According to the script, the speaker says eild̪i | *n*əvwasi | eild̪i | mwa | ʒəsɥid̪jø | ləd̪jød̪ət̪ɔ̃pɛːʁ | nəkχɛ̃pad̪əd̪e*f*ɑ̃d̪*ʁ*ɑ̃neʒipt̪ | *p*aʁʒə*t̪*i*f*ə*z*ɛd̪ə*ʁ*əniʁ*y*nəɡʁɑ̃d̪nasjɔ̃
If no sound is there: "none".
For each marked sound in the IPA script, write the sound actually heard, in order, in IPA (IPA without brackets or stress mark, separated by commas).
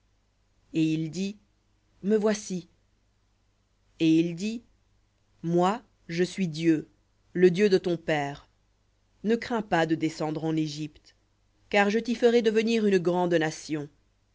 m, s, ʁ, k, t̪, f, ʁ, v, y